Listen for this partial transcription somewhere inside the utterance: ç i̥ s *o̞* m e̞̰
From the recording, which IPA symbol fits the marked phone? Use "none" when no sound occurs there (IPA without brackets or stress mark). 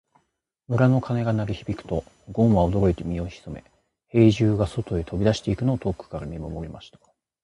o̞